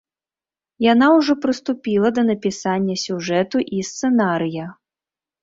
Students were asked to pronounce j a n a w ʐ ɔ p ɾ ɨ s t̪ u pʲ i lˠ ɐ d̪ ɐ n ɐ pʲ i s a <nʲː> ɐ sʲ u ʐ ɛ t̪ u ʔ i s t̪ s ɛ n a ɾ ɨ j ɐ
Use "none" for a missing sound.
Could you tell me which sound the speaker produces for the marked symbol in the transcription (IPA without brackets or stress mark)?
nʲː